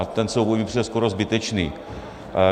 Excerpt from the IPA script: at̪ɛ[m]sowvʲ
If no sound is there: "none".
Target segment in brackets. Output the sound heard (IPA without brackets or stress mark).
n